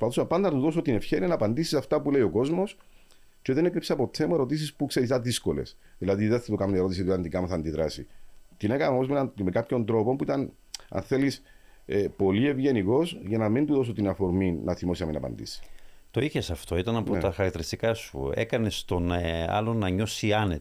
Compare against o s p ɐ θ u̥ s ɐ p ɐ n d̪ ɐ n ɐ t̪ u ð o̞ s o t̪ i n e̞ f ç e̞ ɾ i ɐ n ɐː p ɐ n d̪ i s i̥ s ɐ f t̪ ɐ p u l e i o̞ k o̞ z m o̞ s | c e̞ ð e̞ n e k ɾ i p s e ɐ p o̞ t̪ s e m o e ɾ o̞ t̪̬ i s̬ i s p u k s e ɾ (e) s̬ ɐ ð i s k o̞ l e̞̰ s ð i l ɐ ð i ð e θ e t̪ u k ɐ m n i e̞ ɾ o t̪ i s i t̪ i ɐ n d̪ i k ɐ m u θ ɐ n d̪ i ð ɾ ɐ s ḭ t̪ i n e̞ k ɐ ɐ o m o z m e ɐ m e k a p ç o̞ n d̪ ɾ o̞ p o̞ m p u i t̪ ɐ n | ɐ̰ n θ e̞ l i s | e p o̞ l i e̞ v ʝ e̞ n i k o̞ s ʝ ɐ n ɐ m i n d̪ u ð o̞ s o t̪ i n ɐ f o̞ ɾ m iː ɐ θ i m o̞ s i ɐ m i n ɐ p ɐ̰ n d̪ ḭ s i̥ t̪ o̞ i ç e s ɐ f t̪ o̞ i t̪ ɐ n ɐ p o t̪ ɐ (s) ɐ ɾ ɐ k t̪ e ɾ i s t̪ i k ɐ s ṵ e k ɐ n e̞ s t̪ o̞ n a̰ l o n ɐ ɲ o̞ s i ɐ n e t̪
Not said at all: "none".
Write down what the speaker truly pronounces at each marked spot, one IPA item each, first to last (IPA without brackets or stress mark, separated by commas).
i, x